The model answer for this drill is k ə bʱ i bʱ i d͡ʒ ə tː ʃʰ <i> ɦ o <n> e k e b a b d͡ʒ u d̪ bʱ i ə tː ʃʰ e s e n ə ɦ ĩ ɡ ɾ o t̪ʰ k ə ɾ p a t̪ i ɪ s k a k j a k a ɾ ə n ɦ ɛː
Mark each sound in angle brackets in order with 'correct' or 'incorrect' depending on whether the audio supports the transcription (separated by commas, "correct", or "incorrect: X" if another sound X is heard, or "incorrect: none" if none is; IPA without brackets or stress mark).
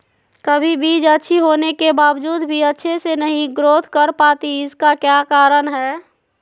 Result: correct, correct